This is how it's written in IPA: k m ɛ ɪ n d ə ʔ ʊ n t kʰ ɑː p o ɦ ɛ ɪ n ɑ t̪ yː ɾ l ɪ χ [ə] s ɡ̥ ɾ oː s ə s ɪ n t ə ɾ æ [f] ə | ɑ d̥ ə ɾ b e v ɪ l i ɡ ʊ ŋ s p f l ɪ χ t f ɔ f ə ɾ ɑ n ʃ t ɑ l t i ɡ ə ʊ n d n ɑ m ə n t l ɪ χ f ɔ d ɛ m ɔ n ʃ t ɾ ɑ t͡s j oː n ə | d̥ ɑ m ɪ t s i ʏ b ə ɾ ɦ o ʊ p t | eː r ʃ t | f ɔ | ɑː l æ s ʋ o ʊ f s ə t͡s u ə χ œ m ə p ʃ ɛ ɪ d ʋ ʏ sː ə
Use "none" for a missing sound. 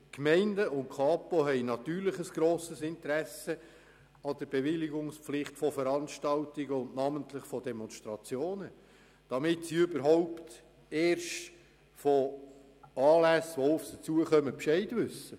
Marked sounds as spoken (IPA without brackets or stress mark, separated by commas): ə, s